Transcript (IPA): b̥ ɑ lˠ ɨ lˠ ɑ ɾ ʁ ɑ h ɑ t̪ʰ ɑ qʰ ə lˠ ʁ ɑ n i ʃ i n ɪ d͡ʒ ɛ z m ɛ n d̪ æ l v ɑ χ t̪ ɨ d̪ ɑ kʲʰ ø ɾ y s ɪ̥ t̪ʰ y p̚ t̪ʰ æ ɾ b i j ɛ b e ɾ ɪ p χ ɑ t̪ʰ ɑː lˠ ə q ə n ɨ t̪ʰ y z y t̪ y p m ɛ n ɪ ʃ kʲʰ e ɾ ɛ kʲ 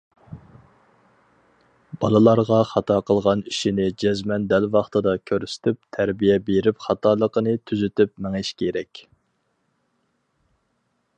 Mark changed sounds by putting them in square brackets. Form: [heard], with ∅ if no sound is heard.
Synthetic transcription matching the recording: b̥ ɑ lˠ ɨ lˠ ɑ ɾ ʁ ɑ [χ] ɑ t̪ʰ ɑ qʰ ə lˠ ʁ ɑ n i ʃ i n ɪ d͡ʒ ɛ z m ɛ n d̪ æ l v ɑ χ t̪ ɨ d̪ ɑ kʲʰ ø ɾ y s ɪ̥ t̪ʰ y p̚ t̪ʰ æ ɾ b i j ɛ b e ɾ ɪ p χ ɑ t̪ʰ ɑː lˠ ə q ə n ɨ t̪ʰ y z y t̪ y p m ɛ [ŋ] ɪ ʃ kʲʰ e ɾ ɛ kʲ